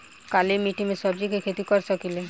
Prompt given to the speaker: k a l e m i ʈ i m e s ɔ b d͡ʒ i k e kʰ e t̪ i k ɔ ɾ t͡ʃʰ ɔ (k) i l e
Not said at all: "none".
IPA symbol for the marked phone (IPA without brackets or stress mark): k